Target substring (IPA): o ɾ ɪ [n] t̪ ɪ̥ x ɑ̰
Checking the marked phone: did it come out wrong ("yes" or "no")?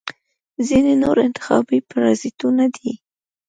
no